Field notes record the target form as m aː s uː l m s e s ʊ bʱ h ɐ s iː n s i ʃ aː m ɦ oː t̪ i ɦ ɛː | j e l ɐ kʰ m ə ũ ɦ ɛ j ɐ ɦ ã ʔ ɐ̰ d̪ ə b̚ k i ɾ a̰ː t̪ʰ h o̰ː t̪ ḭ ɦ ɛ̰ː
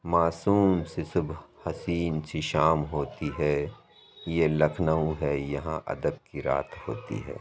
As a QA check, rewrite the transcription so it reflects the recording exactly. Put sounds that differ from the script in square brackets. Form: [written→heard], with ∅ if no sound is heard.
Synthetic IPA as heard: m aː s uː [l→∅] m s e s ʊ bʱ h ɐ s iː n s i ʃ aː m ɦ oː t̪ i ɦ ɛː | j e l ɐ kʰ [m→n] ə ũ ɦ ɛ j ɐ ɦ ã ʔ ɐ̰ d̪ ə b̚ k i ɾ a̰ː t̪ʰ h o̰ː t̪ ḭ ɦ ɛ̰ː